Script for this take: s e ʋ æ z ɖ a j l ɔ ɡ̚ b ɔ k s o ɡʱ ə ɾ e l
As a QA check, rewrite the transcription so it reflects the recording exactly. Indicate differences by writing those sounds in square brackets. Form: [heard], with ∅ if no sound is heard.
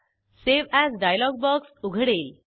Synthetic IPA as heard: s e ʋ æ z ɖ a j l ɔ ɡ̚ b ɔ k s [u] ɡʱ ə [ɽ] e l